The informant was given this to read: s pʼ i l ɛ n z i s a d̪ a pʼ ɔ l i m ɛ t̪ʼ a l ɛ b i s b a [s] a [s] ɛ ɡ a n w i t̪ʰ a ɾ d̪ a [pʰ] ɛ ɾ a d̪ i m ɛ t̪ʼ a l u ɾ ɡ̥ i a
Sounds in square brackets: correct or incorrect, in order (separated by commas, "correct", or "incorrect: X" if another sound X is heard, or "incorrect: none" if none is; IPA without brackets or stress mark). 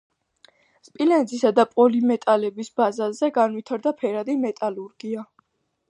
incorrect: z, incorrect: z, correct